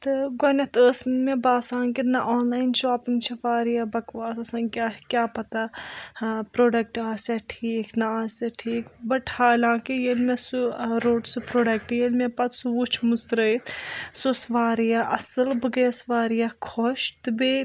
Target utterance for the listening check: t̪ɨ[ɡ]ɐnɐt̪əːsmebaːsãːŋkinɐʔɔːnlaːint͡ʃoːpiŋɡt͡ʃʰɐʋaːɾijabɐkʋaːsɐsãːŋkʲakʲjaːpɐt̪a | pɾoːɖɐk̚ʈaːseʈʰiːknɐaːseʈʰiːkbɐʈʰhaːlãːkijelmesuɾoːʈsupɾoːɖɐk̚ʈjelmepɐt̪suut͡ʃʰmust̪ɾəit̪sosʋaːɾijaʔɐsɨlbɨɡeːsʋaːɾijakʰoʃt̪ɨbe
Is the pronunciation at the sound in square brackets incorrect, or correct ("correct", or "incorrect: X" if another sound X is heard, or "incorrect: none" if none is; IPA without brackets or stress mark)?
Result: correct